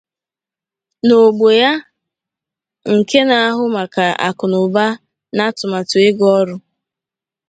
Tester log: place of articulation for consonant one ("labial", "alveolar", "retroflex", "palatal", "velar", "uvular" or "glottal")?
alveolar